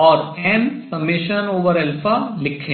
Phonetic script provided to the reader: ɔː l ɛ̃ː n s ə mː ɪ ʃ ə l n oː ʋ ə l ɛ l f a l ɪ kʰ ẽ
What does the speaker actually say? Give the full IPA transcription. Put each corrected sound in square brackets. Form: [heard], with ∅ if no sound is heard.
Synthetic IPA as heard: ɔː [ɾ] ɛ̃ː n s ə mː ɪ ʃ ə [∅] n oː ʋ ə [ɾ] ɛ l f a l ɪ kʰ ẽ